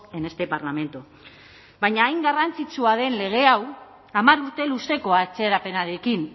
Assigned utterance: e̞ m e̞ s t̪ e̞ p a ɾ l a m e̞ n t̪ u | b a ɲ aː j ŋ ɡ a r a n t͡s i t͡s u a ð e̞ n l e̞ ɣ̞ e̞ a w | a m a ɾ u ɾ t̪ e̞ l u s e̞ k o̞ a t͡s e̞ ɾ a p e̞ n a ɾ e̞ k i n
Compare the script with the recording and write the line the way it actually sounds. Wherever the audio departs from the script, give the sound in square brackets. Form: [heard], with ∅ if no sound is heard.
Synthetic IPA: e̞ [n] e̞ s t̪ e̞ p a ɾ l a m e̞ n t̪ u | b a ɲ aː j ŋ ɡ a r a n t͡s i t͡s u a ð e̞ n l e̞ ɣ̞ e̞ a w | a m a ɾ u ɾ t̪ e̞ l u s e̞ k o̞ a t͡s e̞ ɾ a p e̞ n a ɾ e̞ k i n